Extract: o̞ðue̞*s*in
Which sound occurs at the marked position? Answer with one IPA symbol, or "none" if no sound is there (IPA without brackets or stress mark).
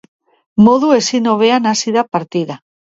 s